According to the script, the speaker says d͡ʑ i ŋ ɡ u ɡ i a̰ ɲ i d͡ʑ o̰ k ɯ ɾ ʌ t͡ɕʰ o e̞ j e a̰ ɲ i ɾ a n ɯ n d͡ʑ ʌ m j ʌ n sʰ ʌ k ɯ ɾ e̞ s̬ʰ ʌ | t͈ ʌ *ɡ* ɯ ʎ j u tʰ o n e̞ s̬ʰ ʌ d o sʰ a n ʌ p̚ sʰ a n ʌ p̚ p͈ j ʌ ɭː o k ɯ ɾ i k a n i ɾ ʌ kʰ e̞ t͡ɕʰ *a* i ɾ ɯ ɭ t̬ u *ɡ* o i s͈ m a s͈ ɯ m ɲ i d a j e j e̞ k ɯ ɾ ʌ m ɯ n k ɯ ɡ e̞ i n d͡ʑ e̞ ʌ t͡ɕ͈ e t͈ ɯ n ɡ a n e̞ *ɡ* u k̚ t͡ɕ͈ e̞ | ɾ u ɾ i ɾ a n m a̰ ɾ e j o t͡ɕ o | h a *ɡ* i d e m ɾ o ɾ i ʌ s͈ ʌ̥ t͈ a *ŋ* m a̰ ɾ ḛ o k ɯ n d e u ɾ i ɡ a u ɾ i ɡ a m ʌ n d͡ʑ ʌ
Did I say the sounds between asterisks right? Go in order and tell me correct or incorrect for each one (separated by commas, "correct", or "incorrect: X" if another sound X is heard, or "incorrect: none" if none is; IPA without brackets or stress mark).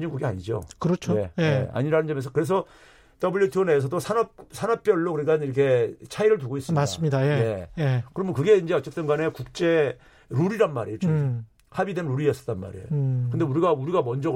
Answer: incorrect: b, correct, correct, incorrect: k, incorrect: b, incorrect: n